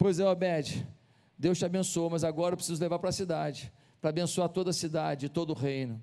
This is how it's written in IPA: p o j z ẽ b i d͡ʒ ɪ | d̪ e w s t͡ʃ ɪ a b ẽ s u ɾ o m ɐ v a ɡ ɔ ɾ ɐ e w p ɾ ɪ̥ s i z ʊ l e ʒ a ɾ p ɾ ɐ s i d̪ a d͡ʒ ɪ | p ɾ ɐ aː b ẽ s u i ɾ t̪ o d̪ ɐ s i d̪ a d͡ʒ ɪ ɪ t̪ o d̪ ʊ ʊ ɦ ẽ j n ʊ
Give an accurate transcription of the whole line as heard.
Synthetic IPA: p o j z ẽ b ɛ d͡ʒ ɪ | d̪ e w s t͡ʃ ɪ a b ẽ s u o m ɐ z a ɡ ɔ ɾ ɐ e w p ɾ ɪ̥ s i z ʊ l e v a ɾ p ɾ ɐ s i d̪ a d͡ʒ ɪ | p ɾ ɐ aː b ẽ s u a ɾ t̪ o d̪ ɐ s i d̪ a d͡ʒ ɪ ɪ t̪ o d̪ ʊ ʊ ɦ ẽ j n ʊ